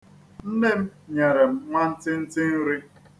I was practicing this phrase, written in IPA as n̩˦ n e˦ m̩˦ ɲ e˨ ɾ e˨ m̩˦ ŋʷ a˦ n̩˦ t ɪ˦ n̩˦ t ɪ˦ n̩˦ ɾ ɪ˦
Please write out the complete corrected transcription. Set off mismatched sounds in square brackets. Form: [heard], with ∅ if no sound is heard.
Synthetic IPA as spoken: n̩˦ n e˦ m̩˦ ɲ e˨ ɾ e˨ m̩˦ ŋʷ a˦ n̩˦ t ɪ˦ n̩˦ t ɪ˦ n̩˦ ɾ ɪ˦